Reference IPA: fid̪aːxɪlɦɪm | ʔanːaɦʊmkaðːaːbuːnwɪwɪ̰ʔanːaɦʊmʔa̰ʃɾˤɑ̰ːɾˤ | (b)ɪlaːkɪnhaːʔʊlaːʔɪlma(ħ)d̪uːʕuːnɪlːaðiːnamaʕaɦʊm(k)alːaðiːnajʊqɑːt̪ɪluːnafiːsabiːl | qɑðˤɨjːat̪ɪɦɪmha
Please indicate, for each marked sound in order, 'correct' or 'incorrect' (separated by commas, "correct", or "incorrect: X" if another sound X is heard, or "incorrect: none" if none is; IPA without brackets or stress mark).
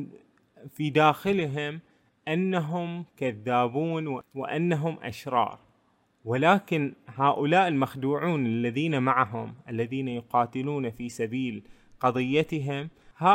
incorrect: w, incorrect: x, incorrect: ʔ